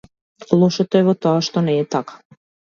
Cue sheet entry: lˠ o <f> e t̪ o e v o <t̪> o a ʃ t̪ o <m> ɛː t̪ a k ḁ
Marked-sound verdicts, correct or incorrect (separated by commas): incorrect, correct, incorrect